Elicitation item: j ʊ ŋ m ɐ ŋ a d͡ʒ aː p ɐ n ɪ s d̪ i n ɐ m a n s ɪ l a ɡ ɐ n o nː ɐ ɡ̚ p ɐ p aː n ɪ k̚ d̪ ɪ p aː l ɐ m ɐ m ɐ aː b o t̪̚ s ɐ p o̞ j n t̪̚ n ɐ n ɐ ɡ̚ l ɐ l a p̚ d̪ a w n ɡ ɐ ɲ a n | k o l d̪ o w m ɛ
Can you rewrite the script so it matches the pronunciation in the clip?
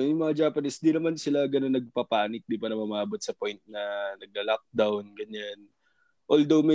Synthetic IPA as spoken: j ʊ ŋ m ɐ ŋ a d͡ʒ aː p ɐ n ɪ s d̪ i n ɐ m a n s ɪ l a ɡ ɐ n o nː ɐ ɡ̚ p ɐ p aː n ɪ k̚ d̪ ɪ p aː ɾ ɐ m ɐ m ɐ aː b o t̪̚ s ɐ p o̞ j n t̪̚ n ɐ n ɐ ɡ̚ l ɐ l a k̚ d̪ a w n ɡ ɐ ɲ a n | ʔ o l d̪ o w m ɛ